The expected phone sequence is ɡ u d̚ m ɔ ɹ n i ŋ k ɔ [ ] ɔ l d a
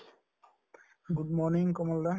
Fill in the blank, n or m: m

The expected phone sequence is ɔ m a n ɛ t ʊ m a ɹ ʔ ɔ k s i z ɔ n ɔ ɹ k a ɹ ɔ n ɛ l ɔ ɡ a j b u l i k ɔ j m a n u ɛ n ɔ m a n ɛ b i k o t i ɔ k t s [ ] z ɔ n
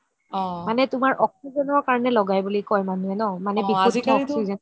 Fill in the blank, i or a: i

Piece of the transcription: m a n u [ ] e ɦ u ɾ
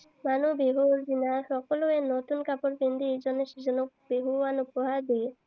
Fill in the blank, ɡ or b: b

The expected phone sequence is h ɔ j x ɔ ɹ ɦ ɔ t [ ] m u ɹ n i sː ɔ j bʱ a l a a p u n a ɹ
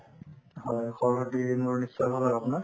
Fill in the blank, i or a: i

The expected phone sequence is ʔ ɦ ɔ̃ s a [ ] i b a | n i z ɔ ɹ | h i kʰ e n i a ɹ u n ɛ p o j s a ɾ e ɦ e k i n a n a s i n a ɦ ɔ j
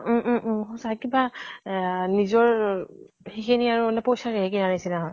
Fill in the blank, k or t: k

